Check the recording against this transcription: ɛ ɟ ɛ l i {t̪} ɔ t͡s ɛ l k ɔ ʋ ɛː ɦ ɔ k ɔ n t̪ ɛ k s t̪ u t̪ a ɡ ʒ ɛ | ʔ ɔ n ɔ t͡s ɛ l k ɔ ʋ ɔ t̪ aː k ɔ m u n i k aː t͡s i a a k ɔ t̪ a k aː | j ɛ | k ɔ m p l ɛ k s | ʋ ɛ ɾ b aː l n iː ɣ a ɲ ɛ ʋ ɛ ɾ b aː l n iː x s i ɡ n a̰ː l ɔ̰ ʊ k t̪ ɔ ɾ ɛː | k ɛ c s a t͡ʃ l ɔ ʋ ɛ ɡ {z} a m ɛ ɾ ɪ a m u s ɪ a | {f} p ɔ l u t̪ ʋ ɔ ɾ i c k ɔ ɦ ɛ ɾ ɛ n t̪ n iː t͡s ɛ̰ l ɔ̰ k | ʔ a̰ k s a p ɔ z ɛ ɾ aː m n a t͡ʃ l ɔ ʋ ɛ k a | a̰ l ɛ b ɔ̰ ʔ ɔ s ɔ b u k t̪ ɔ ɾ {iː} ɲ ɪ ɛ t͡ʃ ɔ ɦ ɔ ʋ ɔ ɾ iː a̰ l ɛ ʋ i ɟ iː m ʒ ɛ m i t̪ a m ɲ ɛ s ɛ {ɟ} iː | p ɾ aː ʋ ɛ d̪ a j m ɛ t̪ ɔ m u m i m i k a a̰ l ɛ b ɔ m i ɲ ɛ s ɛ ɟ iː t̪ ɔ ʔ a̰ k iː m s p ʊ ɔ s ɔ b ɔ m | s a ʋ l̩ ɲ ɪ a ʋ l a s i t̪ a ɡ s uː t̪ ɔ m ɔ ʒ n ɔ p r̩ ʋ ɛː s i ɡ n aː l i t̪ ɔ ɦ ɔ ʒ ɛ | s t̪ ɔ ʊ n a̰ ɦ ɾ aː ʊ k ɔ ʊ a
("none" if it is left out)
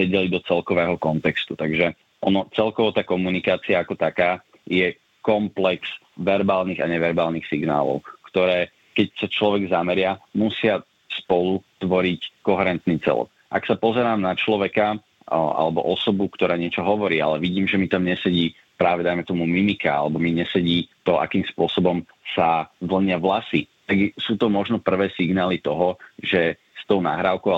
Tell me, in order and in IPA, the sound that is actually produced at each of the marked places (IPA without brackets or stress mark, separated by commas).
d̪, z, s, aː, ɟ